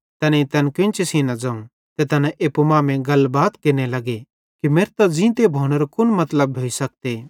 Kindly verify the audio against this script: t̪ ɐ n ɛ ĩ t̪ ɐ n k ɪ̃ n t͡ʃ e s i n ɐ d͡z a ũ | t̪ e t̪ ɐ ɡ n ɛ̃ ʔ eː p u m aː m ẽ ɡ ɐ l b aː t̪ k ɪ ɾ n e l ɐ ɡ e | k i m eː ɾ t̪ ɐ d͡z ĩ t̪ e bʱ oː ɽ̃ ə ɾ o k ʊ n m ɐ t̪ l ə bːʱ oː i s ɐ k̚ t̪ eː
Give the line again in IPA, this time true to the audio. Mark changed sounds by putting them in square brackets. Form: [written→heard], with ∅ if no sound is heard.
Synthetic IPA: t̪ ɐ n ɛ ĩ t̪ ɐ n k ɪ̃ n t͡ʃ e s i n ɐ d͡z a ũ | t̪ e t̪ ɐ [ɡ→∅] n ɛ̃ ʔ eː p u m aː m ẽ ɡ ɐ l b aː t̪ k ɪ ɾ n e l ɐ ɡ e | k i m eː ɾ t̪ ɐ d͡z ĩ t̪ e bʱ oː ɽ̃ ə ɾ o k ʊ n m ɐ t̪ l ə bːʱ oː i s ɐ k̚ t̪ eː